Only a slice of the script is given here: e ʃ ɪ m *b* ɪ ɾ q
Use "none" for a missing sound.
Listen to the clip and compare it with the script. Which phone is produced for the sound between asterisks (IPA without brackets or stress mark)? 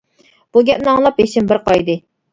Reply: b